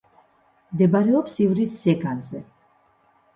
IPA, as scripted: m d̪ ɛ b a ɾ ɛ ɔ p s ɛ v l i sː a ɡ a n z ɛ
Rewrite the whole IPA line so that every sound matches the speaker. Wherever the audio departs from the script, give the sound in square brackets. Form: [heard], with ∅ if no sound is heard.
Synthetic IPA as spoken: m d̪ ɛ b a ɾ ɛ ɔ p s [i] v [ɾ] i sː [ɛ] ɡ a n z ɛ

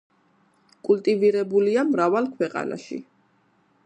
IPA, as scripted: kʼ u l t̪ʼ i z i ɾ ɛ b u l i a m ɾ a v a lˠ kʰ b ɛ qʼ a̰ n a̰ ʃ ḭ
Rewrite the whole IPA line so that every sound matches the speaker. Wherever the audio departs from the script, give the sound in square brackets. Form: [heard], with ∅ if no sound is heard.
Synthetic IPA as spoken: kʼ u l t̪ʼ i [v] i ɾ ɛ b u l i a m ɾ a v a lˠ kʰ [w] ɛ qʼ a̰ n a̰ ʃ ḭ

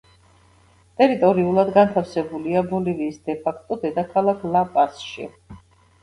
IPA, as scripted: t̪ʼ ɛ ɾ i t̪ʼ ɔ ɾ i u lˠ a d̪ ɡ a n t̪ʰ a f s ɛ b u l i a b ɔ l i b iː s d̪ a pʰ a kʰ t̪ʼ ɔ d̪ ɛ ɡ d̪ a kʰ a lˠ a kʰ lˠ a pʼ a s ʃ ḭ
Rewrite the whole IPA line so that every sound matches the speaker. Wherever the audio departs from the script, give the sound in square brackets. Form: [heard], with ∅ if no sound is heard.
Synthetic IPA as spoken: t̪ʼ ɛ ɾ i t̪ʼ ɔ ɾ i u lˠ a d̪ ɡ a n t̪ʰ a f s ɛ b u l i a b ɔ l i [v] iː s d̪ [ɛ] pʰ a kʰ t̪ʼ ɔ d̪ ɛ [∅] d̪ a kʰ a lˠ a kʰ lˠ a pʼ a s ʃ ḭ

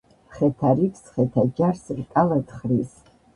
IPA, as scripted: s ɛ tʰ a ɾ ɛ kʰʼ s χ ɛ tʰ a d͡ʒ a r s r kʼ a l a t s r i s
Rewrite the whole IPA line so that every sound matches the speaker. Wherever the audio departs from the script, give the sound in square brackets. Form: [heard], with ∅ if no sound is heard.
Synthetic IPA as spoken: [χ] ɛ tʰ a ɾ [i] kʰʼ s χ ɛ tʰ a d͡ʒ a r s r kʼ a l a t [χ] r i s

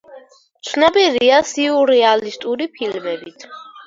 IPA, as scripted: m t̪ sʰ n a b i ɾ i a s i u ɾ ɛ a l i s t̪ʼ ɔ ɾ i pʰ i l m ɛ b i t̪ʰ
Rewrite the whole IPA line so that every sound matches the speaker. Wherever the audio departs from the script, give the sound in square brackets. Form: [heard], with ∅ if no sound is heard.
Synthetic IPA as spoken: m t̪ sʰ n a b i ɾ i a s i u ɾ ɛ a l i s t̪ʼ [u] ɾ i pʰ i l m ɛ b i t̪ʰ

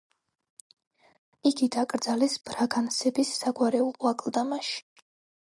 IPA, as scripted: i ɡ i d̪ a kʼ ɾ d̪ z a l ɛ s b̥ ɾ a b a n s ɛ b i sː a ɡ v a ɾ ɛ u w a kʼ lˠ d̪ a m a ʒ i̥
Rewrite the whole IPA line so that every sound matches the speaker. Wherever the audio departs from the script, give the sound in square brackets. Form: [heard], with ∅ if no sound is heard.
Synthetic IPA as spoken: i ɡ i d̪ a kʼ ɾ d̪ z a l ɛ s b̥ ɾ a [ɡ] a n s ɛ b i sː a ɡ [w] a ɾ ɛ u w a kʼ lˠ d̪ a m a [ʃ] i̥

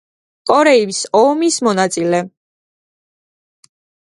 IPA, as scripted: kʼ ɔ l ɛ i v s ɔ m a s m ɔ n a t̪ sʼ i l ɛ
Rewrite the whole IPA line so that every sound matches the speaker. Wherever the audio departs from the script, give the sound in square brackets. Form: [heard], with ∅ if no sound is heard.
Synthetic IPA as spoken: kʼ ɔ [ɾ] ɛ i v s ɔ m [i] s m ɔ n a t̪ sʼ i l ɛ

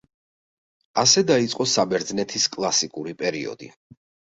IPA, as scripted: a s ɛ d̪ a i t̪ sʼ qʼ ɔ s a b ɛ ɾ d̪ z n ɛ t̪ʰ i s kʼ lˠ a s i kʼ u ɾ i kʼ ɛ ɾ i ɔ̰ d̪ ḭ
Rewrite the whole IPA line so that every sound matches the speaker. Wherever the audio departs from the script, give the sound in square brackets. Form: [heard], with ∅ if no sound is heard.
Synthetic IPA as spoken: a s ɛ d̪ a i t̪ sʼ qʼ ɔ s a b ɛ ɾ d̪ z n ɛ t̪ʰ i s kʼ lˠ a s i kʼ u ɾ i [pʼ] ɛ ɾ i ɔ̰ d̪ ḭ

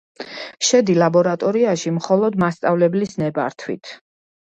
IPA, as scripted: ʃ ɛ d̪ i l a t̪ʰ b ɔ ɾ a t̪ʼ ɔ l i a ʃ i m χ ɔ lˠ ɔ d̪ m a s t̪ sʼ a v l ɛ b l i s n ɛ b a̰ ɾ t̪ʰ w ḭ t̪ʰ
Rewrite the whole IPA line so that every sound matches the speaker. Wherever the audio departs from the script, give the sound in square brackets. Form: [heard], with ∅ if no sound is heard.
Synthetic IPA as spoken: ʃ ɛ d̪ i l a [∅] b ɔ ɾ a t̪ʼ ɔ [ɾ] i a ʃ i m χ ɔ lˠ ɔ d̪ m a s t̪ sʼ a v l ɛ b l i s n ɛ b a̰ ɾ t̪ʰ w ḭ t̪ʰ

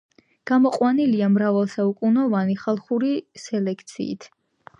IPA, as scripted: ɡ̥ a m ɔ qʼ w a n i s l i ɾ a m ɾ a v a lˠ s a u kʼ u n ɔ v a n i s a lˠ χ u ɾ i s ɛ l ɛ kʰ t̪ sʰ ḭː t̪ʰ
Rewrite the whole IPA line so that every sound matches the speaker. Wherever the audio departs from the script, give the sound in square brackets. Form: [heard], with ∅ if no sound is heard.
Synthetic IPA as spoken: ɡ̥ a m ɔ qʼ w a n i [∅] l i [∅] a m ɾ a v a lˠ s a u kʼ u n ɔ v a n i [χ] a lˠ χ u ɾ i s ɛ l ɛ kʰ t̪ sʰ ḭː t̪ʰ

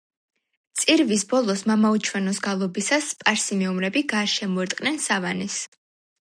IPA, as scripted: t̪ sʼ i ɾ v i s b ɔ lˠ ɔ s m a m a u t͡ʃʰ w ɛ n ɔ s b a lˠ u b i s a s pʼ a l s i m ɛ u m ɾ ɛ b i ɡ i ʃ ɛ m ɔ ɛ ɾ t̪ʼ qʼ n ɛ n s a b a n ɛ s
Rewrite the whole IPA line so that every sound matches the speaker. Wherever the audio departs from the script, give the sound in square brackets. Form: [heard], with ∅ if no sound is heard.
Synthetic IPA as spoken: t̪ sʼ i ɾ v i s b ɔ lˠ ɔ s m a m a u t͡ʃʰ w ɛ n ɔ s [ɡ] a lˠ [ɔ] b i s a s pʼ a [ɾ] s i m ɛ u m ɾ ɛ b i ɡ [a] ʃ ɛ m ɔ ɛ ɾ t̪ʼ qʼ n ɛ n s a [v] a n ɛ s

